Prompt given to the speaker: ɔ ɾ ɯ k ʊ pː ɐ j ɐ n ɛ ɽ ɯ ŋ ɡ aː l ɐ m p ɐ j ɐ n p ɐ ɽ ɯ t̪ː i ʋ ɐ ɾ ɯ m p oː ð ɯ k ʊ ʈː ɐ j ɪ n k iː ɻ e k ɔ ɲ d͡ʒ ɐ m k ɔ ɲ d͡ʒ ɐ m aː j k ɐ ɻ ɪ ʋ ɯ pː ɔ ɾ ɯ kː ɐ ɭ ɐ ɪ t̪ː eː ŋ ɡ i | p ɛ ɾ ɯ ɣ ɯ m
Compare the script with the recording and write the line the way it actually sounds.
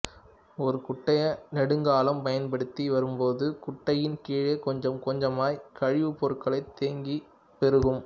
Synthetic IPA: ɔ ɾ ɯ k ʊ ʈː ɐ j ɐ n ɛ ɽ ɯ ŋ ɡ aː l ɐ m p ɐ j ɐ n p ɐ ɽ ɯ t̪ː i ʋ ɐ ɾ ɯ m p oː ð ɯ k ʊ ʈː ɐ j ɪ n k iː ɻ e k ɔ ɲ d͡ʒ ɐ m k ɔ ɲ d͡ʒ ɐ m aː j k ɐ ɻ ɪ ʋ ɯ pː ɔ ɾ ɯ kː ɐ ɭ ɐ ɪ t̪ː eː ŋ ɡ i | p ɛ ɾ ɯ ɣ ɯ m